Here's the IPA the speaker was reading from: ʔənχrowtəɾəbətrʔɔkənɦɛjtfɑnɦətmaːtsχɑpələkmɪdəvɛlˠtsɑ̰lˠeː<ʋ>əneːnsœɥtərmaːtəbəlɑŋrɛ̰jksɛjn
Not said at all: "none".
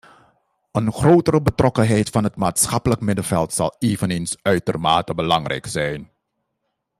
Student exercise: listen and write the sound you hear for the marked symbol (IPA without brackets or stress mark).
v